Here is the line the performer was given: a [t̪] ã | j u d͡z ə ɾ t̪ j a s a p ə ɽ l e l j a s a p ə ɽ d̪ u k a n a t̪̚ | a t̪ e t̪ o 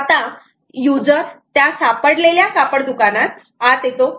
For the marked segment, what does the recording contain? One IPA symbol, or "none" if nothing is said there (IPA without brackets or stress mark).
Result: t̪